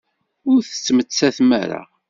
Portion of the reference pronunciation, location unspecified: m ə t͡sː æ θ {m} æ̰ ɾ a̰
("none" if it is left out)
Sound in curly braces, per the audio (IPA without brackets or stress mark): m